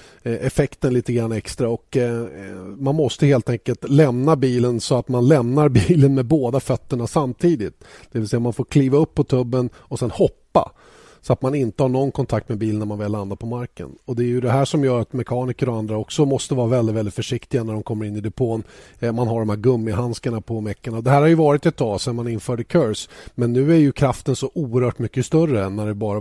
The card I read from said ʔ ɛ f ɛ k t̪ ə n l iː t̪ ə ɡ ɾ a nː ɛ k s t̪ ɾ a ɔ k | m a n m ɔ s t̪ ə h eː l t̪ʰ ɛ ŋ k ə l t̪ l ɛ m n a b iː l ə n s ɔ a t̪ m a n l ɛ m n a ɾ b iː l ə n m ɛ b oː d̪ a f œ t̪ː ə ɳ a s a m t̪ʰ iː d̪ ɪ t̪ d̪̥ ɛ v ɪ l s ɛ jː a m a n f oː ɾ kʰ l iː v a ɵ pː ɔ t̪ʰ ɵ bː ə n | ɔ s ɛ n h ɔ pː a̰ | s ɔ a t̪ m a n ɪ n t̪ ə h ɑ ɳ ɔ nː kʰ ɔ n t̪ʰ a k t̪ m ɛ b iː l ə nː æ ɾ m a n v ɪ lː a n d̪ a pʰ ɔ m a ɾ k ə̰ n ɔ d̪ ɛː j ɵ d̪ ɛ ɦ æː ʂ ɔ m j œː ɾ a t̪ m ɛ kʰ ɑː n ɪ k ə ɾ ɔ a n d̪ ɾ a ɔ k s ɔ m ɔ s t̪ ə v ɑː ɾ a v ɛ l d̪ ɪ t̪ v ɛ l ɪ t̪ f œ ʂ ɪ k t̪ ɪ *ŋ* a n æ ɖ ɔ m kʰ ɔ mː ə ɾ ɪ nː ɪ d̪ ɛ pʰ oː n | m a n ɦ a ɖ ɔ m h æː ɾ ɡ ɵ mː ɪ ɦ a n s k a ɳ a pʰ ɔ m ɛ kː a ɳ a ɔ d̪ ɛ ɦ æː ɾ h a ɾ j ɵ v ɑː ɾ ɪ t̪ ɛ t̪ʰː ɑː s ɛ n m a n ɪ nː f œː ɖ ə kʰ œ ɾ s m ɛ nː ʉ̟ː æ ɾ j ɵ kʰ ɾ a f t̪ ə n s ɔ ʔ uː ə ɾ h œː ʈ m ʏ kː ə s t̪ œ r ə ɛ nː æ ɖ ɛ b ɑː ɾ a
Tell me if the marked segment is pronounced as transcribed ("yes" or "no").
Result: no